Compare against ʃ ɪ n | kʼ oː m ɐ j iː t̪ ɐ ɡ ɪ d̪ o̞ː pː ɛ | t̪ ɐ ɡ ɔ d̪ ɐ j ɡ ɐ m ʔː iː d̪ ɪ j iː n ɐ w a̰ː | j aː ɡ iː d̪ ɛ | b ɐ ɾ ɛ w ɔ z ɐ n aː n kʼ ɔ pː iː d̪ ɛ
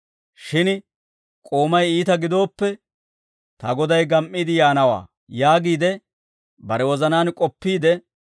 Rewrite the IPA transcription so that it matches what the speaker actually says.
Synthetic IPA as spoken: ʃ ɪ n | kʼ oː m ɐ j iː t̪ ɐ ɡ ɪ d̪ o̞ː pː ɛ | t̪ ɐ ɡ ɔ d̪ ɐ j ɡ ɐ m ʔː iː d̪ ɪ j aː n ɐ w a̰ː | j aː ɡ iː d̪ ɛ | b ɐ ɾ ɛ w ɔ z ɐ n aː n kʼ ɔ pː iː d̪ ɛ